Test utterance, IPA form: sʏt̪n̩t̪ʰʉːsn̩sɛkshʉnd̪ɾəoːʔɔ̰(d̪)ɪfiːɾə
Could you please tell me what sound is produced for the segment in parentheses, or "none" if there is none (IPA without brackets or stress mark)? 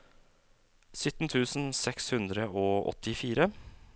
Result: t̪